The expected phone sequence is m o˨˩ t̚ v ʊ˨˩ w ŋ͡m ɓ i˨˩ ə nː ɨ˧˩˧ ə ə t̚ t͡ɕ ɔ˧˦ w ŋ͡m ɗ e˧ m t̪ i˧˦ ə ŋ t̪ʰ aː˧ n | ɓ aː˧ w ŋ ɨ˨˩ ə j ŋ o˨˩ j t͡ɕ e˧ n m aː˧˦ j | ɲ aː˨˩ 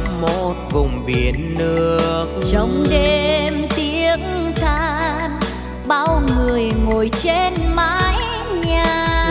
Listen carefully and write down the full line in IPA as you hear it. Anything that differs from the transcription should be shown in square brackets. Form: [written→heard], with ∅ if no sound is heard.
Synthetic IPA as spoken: m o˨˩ t̚ v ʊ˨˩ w ŋ͡m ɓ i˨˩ ə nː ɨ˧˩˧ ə ə [t̚→k̚] t͡ɕ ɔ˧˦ w ŋ͡m ɗ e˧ m t̪ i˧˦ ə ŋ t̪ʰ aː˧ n | ɓ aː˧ w ŋ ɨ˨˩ ə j ŋ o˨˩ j t͡ɕ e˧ n m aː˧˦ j | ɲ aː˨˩